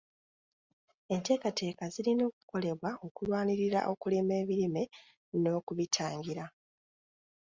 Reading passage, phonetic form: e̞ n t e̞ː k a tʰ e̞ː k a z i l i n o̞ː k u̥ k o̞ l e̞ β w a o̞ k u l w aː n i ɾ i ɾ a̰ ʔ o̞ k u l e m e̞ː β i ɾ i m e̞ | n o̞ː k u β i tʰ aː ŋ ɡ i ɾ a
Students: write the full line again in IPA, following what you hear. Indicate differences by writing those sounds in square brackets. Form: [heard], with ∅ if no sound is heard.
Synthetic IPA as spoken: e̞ n t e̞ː k a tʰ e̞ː k a z i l i n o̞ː k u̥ k o̞ l e̞ β w a o̞ k u l w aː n i ɾ i ɾ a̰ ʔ o̞ k u l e m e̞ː β i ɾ i m e̞ | n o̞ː k u β i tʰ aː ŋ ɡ i ɾ a